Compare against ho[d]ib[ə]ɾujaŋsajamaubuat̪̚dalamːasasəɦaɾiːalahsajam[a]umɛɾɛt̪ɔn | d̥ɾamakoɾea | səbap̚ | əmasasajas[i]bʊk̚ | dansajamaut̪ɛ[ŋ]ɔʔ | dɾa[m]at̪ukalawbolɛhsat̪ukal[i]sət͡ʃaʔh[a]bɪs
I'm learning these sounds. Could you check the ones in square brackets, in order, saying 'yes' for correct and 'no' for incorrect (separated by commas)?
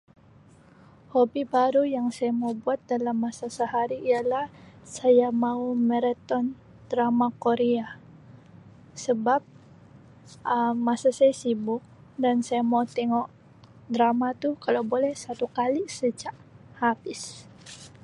no, no, yes, yes, yes, yes, yes, yes